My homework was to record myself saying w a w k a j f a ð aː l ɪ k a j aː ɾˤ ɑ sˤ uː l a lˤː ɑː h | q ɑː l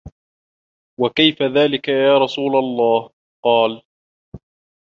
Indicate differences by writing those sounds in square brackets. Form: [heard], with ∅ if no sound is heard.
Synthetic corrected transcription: w a [∅] k a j f a ð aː l ɪ k a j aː ɾˤ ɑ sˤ uː l a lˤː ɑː h | q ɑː l